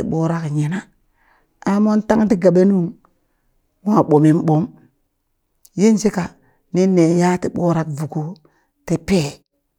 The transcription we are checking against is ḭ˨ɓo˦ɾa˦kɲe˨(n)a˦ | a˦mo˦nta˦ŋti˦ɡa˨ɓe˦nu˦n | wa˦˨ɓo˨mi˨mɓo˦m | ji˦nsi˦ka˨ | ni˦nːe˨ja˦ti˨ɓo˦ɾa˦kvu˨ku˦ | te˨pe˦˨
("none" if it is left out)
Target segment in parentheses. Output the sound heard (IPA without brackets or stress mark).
n